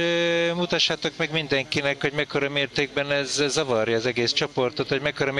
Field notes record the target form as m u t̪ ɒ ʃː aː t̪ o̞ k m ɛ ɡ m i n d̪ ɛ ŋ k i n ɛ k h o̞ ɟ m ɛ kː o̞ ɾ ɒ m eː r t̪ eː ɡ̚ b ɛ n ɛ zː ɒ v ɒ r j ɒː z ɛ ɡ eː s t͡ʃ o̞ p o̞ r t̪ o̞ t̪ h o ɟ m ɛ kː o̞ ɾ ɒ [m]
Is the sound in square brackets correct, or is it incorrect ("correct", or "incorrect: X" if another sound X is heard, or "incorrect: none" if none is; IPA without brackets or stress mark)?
correct